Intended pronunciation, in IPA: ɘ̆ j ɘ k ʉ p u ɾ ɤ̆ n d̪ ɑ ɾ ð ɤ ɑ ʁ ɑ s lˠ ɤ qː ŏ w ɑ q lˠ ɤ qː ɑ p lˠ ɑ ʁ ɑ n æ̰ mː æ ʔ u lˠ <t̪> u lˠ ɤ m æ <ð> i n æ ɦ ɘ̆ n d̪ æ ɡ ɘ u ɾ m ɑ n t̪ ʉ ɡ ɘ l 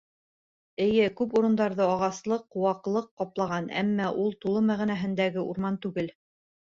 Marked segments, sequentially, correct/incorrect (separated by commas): correct, incorrect